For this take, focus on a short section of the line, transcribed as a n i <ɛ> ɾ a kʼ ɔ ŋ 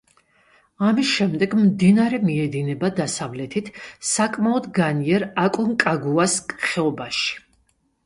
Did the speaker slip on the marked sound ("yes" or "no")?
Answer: no